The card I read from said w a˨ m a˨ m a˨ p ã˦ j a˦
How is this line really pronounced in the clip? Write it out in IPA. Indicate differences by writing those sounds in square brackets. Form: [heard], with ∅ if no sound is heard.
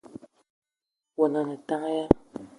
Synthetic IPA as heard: w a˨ [n] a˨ [n] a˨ [t] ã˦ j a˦